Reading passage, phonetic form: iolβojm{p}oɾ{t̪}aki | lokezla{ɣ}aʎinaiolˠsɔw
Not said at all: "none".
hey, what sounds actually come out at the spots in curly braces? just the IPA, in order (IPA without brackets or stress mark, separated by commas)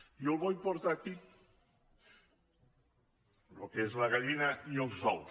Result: p, t̪, ɣ